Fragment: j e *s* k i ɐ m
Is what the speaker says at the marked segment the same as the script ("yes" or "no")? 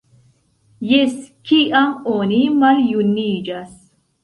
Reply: yes